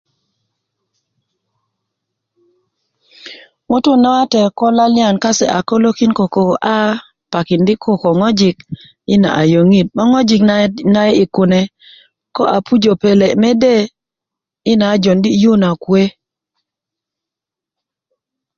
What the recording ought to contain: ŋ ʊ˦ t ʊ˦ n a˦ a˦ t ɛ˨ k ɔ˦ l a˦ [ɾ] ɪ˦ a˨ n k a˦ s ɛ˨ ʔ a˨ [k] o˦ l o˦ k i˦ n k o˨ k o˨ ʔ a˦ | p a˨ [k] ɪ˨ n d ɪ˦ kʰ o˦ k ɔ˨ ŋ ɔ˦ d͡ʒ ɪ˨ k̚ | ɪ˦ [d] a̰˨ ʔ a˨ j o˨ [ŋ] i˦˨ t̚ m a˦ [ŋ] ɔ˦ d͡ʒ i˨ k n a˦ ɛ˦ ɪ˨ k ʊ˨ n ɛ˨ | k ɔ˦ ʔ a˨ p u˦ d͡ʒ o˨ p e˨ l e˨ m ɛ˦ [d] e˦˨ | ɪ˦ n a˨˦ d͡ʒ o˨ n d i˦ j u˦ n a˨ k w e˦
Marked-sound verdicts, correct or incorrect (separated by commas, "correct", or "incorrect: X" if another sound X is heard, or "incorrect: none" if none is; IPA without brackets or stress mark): incorrect: l, correct, correct, incorrect: n, correct, correct, correct